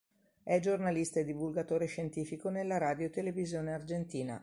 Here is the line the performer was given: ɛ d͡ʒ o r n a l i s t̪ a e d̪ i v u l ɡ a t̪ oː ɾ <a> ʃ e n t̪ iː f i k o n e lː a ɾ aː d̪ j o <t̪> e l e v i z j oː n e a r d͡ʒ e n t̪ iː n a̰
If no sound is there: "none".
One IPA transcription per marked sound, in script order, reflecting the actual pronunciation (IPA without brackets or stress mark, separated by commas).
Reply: e, t̪